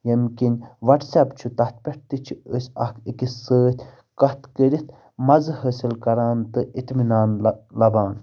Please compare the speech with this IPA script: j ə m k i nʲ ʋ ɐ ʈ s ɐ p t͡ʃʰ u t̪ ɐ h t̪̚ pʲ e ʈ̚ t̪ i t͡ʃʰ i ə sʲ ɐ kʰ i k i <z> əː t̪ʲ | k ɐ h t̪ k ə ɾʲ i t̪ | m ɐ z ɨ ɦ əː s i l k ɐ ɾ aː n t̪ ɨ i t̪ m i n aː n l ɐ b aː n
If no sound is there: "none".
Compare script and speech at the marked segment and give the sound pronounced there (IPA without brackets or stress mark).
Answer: s